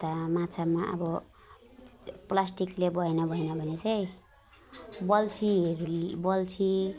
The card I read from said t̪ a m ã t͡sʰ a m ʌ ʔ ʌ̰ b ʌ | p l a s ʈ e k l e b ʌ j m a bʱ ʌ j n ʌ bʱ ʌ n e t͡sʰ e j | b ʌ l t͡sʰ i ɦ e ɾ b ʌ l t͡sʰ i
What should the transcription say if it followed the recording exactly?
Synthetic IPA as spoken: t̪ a m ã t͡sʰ a m a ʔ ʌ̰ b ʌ | p l a s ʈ i k l e b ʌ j n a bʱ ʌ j n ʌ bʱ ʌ n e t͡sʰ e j | b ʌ l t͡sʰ i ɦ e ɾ b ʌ l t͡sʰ i